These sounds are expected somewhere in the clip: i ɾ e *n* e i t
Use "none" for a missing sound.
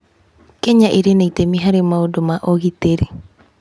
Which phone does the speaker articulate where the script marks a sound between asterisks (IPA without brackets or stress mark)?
n